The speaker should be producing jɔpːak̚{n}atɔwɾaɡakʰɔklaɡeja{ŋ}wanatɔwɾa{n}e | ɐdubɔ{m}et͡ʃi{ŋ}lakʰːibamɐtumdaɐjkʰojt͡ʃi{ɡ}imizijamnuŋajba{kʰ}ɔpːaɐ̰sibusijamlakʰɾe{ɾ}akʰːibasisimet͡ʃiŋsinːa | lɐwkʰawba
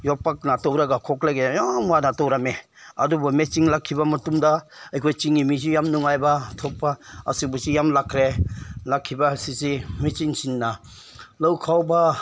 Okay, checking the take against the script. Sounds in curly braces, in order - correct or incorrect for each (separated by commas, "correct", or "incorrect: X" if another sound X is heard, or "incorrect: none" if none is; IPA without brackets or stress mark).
correct, incorrect: m, incorrect: m, correct, correct, incorrect: ŋ, incorrect: tʰ, incorrect: l